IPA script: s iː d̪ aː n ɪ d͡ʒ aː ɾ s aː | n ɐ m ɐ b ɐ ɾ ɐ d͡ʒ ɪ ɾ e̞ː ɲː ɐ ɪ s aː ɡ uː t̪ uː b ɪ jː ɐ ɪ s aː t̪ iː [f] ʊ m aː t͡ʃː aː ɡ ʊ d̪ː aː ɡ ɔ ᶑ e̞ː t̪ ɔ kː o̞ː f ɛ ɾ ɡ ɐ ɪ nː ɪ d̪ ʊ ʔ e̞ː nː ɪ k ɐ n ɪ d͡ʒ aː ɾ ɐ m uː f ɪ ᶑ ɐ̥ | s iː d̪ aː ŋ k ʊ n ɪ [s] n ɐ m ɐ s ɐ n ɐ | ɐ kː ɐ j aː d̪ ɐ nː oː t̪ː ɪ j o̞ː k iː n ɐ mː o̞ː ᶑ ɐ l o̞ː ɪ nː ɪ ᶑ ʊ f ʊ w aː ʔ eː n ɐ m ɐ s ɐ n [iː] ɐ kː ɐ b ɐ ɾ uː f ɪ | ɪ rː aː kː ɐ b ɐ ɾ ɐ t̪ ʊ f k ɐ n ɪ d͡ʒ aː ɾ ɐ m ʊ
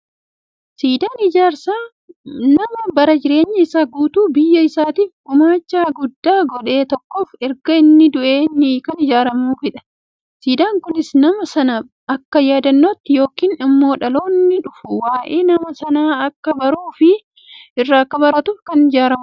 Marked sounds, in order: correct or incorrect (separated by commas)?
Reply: correct, correct, incorrect